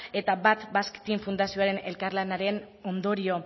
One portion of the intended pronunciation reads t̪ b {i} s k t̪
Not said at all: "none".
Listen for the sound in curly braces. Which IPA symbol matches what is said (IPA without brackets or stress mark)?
a